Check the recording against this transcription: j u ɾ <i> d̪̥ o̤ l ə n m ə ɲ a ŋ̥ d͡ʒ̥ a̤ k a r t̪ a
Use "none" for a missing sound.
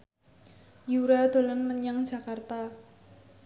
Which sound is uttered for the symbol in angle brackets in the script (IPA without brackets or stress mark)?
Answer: a